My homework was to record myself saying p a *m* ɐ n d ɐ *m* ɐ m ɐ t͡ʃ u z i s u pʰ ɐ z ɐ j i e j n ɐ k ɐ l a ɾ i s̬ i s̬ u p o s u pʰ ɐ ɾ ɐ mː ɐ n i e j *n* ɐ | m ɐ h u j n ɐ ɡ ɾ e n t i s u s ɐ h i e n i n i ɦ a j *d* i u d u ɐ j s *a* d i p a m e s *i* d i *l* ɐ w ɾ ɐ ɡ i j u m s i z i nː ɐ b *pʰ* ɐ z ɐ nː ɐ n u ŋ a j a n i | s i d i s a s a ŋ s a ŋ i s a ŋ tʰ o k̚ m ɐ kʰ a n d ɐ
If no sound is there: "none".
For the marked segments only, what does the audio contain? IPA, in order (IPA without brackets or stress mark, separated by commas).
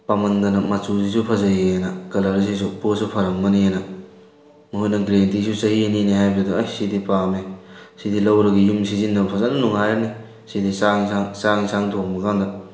m, n, n, b, i, i, l, pʰ